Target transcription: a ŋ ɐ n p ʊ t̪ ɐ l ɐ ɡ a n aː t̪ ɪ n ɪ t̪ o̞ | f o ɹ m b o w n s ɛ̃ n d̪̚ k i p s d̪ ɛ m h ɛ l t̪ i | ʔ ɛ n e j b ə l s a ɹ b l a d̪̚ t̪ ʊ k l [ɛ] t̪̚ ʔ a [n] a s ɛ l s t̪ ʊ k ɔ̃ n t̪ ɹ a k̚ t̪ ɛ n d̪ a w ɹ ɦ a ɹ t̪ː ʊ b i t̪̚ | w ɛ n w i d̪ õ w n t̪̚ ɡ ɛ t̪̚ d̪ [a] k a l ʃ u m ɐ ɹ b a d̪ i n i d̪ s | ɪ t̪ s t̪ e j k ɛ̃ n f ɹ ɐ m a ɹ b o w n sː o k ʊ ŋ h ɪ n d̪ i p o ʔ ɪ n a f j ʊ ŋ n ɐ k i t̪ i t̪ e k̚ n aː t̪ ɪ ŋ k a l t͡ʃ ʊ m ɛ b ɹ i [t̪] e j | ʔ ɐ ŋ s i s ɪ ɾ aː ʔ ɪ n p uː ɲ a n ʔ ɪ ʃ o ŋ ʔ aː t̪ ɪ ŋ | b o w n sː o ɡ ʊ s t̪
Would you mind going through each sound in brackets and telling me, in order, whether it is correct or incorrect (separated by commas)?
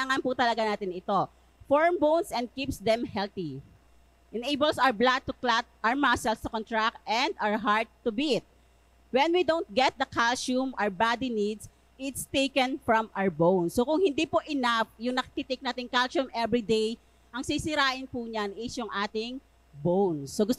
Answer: incorrect, incorrect, incorrect, incorrect